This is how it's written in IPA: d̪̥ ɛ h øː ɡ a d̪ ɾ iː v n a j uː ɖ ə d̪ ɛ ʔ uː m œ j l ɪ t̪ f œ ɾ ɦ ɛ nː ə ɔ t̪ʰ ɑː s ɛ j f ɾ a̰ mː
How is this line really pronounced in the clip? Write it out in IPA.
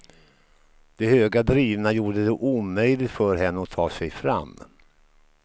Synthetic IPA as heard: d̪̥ ɛ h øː ɡ a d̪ ɾ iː v n a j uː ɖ ə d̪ ɛ ʔ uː m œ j l ɪ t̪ f œ ɾ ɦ ɛ nː ə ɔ t̪ʰ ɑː s ɛ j f ɾ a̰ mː